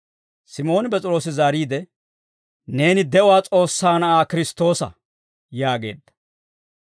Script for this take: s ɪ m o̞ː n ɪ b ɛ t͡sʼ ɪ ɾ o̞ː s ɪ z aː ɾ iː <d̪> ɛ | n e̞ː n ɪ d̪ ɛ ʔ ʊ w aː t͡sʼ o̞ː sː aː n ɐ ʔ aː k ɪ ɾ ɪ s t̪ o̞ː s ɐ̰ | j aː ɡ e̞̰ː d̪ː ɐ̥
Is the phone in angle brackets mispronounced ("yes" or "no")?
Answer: no